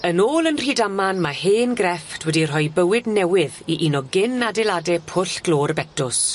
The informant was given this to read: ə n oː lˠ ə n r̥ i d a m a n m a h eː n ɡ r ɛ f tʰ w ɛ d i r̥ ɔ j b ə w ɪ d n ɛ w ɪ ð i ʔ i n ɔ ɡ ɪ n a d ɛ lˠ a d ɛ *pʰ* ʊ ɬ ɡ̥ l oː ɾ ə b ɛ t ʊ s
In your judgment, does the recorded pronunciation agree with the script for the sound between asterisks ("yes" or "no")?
yes